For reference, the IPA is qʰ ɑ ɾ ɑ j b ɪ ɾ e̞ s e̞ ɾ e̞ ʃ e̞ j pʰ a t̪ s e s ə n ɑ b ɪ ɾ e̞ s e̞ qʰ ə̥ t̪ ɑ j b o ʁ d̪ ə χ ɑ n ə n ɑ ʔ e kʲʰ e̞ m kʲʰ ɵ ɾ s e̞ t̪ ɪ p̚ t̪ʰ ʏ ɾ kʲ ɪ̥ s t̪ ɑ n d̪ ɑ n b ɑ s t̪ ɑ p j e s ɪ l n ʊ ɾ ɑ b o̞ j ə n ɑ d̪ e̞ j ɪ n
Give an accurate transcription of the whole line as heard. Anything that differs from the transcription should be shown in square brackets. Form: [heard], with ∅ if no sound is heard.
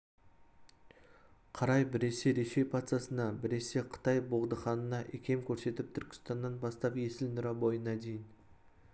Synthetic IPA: qʰ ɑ ɾ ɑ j b ɪ ɾ e̞ s e̞ ɾ e̞ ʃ e̞ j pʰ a t̪ s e s ə n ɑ b ɪ ɾ e̞ s e̞ qʰ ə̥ t̪ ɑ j b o ʁ d̪ ə χ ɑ n ə n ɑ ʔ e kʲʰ e̞ m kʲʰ ɵ ɾ s e̞ t̪ ɪ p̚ t̪ʰ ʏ ɾ kʲ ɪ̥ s t̪ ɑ n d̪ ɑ n b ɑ s t̪ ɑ p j e s ɪ l n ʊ ɾ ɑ b o̞ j ə n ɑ d̪ e̞ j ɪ n

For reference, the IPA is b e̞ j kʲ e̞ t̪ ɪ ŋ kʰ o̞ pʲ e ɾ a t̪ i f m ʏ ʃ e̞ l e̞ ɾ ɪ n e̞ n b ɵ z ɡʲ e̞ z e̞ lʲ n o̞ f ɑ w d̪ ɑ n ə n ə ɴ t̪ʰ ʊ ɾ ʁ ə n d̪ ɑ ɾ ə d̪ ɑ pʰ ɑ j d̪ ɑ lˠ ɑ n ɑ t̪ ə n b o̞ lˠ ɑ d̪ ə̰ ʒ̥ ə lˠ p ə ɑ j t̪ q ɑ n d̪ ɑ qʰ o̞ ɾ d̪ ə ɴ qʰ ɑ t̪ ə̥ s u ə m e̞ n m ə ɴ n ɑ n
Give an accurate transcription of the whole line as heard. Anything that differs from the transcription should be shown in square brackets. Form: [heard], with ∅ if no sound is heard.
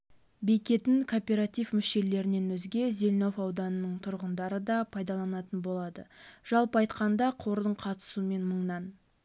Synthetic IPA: b e̞ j kʲ e̞ t̪ ɪ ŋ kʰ o̞ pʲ e ɾ a t̪ i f m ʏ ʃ e̞ l e̞ ɾ ɪ n e̞ n [w] ɵ z ɡʲ e̞ z e̞ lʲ n o̞ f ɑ w d̪ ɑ n ə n ə ɴ t̪ʰ ʊ ɾ ʁ ə n d̪ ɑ ɾ ə d̪ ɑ pʰ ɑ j d̪ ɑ lˠ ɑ n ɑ t̪ ə n b o̞ lˠ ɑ d̪ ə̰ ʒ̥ [ɑ] lˠ p ə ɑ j t̪ q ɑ n d̪ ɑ qʰ o̞ ɾ d̪ ə ɴ qʰ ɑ t̪ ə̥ s u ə m e̞ n m ə ɴ n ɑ n

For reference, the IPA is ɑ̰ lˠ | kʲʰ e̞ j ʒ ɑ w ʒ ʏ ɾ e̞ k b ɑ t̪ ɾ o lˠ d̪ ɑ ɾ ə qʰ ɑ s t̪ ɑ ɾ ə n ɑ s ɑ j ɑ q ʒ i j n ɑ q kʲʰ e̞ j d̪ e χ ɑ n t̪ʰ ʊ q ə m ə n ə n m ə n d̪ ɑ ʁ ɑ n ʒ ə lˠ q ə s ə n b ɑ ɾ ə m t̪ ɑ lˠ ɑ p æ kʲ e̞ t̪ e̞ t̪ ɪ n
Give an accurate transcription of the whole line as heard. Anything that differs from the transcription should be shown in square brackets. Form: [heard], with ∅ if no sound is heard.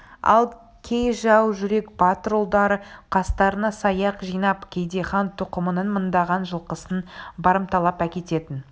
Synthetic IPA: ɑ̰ lˠ | kʲʰ e̞ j ʒ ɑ w ʒ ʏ ɾ e̞ k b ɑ t̪ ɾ o lˠ d̪ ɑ ɾ ə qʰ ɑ s t̪ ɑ ɾ ə n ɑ s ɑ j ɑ q ʒ i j n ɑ [p] kʲʰ e̞ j d̪ e χ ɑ n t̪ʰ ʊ q ə m ə n ə n m ə n d̪ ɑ ʁ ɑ n ʒ ə lˠ q ə s ə n b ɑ ɾ ə m t̪ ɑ lˠ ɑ p æ kʲ e̞ t̪ e̞ t̪ ɪ n

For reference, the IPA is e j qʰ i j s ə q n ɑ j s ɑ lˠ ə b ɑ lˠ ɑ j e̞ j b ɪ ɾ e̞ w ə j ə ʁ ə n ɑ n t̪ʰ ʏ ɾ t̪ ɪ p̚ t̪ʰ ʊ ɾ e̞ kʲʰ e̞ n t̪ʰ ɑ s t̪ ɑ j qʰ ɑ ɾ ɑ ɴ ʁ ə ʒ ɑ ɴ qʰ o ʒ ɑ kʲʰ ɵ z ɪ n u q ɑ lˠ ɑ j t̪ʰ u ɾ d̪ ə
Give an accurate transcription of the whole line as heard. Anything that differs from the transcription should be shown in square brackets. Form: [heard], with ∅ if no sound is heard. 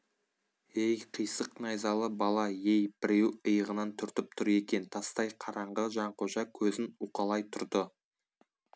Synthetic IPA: e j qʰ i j s ə q n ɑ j [z] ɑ lˠ ə b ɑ lˠ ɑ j e̞ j b ɪ ɾ e̞ w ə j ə ʁ ə n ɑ n t̪ʰ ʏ ɾ t̪ ɪ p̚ t̪ʰ ʊ ɾ e̞ [kʲ] e̞ n t̪ʰ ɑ s t̪ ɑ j qʰ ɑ ɾ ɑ ɴ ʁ ə ʒ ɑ ɴ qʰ o ʒ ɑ kʲʰ ɵ z ɪ n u q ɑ lˠ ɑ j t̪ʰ [ʊ] ɾ d̪ ə

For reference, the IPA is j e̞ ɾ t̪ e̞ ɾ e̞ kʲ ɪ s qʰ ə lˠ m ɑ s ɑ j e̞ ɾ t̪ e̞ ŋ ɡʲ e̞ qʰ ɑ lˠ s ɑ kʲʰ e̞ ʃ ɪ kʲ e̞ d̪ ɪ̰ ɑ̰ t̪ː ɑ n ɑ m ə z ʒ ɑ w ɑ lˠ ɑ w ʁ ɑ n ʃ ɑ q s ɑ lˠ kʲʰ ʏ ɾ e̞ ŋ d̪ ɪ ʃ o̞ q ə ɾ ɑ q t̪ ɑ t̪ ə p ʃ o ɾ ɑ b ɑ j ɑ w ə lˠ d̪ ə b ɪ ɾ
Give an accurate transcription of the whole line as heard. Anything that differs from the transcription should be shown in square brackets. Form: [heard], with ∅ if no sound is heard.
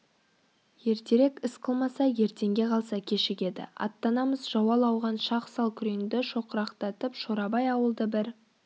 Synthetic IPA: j e̞ ɾ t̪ e̞ ɾ e̞ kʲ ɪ s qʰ ə lˠ m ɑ s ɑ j e̞ ɾ t̪ e̞ ŋ ɡʲ e̞ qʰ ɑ lˠ s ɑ kʲʰ e̞ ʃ ɪ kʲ e̞ d̪ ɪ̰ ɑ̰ t̪ː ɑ n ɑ m ə z ʒ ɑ w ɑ lˠ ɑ w ʁ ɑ n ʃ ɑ q s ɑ lˠ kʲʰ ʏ ɾ e̞ ŋ d̪ ɪ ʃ o̞ q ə ɾ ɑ q t̪ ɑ t̪ ə p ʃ o ɾ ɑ b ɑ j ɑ w ə lˠ d̪ ə b ɪ ɾ

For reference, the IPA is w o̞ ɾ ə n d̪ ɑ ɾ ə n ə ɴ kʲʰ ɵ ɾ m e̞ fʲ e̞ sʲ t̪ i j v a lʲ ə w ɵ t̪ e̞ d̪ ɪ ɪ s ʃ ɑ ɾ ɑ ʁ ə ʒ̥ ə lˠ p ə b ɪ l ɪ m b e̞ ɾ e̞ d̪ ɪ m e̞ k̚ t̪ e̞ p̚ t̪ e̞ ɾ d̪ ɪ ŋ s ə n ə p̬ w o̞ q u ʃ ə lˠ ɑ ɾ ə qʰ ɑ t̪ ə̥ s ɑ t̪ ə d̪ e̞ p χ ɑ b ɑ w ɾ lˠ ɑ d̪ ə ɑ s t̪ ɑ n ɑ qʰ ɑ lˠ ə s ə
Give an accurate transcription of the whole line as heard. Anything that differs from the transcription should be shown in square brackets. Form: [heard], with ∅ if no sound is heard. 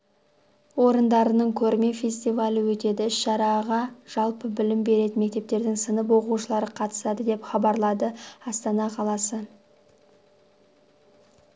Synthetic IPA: w o̞ ɾ ə n d̪ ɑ ɾ ə n ə ɴ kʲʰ ɵ ɾ m e̞ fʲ e̞ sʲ t̪ i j v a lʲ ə w ɵ t̪ e̞ d̪ ɪ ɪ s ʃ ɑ ɾ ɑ ʁ [ɑ] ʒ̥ [ɑ] lˠ p ə b ɪ l ɪ m b e̞ ɾ e̞ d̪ ɪ m e̞ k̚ t̪ e̞ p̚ t̪ e̞ ɾ d̪ ɪ ŋ s ə n ə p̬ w o̞ q u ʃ ə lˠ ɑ ɾ ə qʰ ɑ t̪ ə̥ s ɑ [d̪] ə d̪ e̞ p χ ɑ b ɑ [∅] ɾ lˠ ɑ d̪ ə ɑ s t̪ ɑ n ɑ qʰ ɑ lˠ [ɑ] s ə

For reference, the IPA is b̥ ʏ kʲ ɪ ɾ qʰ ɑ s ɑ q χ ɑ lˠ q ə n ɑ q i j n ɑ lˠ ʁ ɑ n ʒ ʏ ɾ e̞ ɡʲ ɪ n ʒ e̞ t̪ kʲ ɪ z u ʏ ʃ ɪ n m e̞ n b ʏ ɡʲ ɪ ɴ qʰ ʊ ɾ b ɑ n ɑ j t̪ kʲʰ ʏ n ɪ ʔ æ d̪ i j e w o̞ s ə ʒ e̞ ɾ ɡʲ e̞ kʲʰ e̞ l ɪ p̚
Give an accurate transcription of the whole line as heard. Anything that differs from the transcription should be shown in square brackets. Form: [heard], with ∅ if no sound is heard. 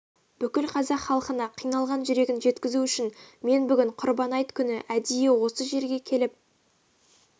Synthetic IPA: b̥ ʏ kʲ ɪ [l] qʰ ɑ [z] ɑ q χ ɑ lˠ q ə n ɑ [qʰ] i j n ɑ lˠ ʁ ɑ n ʒ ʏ ɾ e̞ ɡʲ ɪ n ʒ e̞ t̪ kʲ ɪ z u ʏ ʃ ɪ n m e̞ n b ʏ ɡʲ ɪ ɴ qʰ ʊ ɾ b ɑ n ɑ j t̪ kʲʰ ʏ n ɪ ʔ æ d̪ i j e w o̞ s ə ʒ e̞ ɾ ɡʲ e̞ kʲʰ e̞ l ɪ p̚

